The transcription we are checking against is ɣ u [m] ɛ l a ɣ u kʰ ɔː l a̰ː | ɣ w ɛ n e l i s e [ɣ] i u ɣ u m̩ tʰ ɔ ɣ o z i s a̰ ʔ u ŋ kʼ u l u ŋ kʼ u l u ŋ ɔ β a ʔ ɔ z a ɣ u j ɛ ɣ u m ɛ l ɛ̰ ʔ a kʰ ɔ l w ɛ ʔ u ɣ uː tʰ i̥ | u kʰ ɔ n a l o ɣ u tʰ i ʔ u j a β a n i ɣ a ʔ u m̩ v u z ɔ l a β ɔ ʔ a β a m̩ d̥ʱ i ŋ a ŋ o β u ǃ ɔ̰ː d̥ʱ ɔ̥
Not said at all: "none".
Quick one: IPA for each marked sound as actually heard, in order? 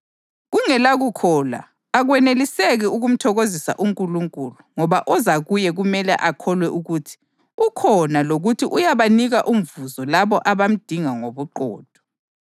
ŋ, ɣ

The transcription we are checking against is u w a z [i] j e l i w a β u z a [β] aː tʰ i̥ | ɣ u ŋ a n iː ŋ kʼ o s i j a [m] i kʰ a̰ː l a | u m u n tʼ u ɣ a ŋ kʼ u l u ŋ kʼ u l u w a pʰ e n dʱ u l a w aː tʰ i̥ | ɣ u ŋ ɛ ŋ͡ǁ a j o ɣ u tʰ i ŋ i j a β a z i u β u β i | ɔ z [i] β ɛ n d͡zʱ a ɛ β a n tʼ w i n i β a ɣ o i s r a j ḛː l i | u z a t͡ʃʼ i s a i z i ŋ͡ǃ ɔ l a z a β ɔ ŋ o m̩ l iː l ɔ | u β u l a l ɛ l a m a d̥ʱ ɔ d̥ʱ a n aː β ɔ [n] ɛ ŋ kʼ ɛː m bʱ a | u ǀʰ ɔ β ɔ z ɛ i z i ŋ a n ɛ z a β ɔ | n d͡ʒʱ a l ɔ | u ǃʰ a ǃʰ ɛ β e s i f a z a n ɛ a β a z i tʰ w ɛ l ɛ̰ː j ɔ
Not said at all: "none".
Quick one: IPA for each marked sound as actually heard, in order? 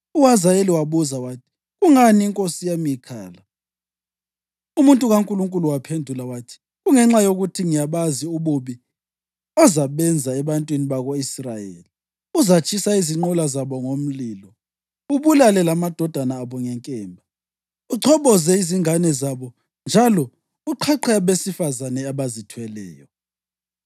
a, w, m, a, ŋ

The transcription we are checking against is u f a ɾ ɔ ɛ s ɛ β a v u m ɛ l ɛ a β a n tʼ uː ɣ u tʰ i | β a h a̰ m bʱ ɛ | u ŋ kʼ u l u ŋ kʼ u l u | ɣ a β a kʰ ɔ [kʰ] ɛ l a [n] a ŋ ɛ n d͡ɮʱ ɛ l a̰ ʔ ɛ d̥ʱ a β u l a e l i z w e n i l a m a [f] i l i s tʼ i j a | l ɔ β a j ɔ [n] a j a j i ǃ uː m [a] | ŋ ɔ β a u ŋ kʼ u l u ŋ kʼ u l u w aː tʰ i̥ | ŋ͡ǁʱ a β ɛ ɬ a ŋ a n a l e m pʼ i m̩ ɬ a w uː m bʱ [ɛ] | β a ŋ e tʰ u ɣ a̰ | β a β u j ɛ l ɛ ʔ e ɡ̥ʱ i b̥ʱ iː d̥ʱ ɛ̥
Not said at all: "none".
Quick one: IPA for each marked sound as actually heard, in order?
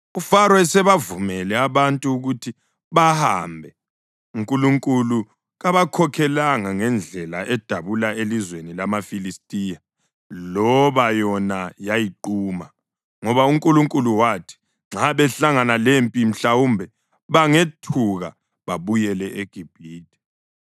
kʰ, ŋ, f, n, a, ɛ

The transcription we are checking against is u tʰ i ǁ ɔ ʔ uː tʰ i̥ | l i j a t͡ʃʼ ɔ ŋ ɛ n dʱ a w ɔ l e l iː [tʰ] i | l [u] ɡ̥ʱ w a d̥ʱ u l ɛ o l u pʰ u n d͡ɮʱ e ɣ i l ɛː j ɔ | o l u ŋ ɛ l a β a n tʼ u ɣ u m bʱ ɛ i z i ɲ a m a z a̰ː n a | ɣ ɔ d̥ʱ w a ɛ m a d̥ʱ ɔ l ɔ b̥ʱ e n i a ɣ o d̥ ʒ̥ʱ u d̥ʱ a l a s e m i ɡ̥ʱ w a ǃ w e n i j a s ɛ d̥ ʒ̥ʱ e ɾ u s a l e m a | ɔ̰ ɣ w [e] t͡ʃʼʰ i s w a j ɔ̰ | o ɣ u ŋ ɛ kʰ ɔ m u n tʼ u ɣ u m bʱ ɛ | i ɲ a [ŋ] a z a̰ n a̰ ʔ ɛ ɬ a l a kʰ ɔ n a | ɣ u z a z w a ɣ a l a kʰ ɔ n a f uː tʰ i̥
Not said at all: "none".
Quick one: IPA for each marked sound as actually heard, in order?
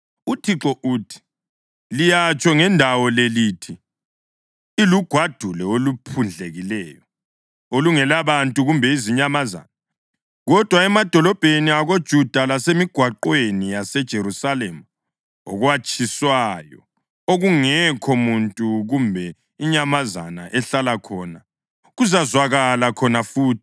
tʰ, u, a, m

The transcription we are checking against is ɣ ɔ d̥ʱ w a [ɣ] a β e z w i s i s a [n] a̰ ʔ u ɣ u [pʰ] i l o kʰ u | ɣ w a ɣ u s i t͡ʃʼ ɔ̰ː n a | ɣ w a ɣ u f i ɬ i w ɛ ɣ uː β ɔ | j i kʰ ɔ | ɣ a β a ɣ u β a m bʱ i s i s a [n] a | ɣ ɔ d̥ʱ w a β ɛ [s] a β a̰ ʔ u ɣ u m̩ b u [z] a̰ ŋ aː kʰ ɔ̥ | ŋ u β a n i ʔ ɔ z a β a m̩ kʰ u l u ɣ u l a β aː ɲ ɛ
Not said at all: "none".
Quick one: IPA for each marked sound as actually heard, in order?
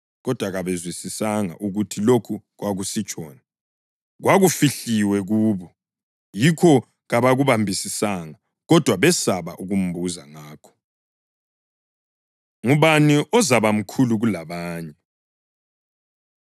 ɣ, ŋ, tʰ, ŋ, s, z

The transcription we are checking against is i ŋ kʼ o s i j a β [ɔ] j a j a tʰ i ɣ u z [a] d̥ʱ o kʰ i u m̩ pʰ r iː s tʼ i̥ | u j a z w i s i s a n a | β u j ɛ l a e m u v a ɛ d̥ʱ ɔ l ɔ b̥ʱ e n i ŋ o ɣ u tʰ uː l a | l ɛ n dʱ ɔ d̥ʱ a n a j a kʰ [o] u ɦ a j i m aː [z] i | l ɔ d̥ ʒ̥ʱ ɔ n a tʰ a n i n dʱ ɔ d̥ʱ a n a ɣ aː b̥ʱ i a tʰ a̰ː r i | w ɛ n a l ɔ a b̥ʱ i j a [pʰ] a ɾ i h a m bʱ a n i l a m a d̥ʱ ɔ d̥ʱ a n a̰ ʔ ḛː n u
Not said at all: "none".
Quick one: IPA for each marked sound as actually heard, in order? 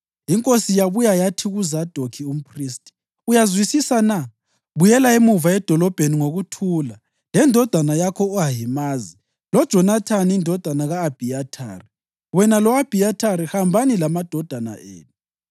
u, a, ɔ, z, tʰ

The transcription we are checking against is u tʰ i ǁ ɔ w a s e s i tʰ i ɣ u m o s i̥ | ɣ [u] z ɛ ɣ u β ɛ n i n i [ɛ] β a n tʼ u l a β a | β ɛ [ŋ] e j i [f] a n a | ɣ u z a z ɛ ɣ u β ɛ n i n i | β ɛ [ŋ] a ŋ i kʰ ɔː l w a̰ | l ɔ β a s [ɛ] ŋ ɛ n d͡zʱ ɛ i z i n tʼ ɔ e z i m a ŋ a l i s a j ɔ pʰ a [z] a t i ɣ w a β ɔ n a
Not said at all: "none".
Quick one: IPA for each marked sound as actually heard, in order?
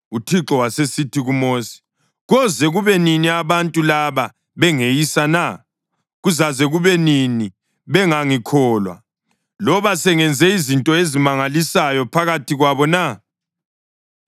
ɔ, a, ŋ, s, ŋ, ɛ, ɣ

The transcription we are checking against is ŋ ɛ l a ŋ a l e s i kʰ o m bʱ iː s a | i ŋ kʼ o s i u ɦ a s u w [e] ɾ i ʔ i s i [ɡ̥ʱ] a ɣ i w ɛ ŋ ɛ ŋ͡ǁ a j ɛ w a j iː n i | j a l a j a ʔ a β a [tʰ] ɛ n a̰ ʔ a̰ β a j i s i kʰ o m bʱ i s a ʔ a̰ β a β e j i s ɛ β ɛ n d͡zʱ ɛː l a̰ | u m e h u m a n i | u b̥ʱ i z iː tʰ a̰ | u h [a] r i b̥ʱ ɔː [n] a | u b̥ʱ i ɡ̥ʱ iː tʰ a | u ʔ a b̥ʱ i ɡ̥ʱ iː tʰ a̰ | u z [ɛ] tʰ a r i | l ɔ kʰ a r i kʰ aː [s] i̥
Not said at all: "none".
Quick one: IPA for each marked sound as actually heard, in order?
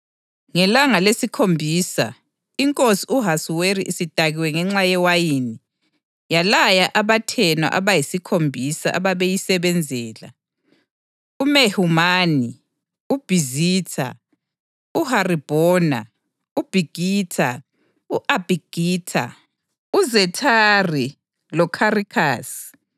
e, d̥ʱ, tʰ, a, n, ɛ, s

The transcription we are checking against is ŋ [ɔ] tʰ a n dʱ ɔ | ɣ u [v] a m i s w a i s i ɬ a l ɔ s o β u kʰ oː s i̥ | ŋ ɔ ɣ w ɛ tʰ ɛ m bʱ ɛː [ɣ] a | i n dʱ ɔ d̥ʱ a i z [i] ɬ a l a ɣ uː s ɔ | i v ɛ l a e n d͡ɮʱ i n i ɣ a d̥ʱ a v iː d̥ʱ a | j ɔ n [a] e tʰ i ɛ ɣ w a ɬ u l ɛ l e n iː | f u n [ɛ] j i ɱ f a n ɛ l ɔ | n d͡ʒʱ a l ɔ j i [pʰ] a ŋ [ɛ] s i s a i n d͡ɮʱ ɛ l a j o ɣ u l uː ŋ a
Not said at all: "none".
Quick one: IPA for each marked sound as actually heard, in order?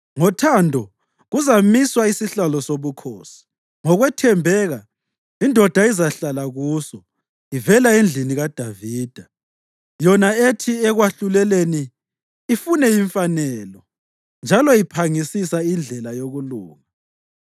ɔ, z, ɣ, a, a, ɛ, pʰ, i

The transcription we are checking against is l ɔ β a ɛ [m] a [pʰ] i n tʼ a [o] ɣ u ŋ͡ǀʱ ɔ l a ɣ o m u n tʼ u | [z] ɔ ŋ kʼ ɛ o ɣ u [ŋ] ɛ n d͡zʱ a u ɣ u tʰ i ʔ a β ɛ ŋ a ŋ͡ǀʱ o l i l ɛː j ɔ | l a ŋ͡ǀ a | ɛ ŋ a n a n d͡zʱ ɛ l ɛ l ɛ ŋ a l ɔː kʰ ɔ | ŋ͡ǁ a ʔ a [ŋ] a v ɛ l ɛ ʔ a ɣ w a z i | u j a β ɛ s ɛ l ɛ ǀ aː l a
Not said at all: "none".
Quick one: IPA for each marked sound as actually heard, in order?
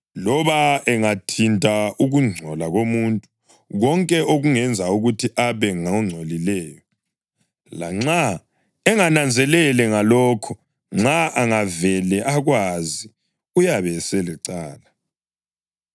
ŋ, tʰ, u, ɣ, ŋ, ŋ

